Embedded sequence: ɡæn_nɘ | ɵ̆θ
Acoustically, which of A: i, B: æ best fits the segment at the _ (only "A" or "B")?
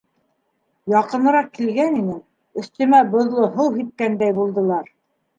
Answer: A